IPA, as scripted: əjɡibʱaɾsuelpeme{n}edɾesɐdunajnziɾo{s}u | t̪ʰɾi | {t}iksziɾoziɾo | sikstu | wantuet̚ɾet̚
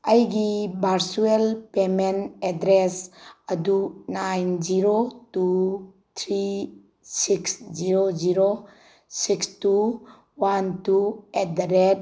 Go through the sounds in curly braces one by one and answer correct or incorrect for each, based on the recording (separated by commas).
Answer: correct, incorrect, incorrect